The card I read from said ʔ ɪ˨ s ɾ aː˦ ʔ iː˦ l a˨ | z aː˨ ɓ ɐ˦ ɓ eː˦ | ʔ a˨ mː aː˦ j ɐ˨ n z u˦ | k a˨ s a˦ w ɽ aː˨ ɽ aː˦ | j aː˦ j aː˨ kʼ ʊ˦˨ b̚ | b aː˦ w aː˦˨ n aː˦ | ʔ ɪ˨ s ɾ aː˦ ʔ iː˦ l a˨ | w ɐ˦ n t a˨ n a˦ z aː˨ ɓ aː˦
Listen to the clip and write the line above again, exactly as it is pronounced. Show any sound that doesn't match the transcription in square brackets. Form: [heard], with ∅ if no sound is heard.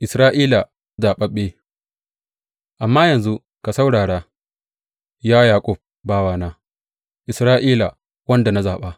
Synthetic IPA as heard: ʔ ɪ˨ s ɾ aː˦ ʔ iː˦ l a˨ | z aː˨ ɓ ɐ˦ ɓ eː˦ | ʔ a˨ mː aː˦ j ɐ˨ n z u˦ | k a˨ s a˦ w ɽ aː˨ ɽ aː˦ | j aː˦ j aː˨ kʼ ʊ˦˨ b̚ | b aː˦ w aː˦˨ n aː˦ | ʔ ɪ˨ s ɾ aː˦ ʔ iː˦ l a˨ | w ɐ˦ n [d] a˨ n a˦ z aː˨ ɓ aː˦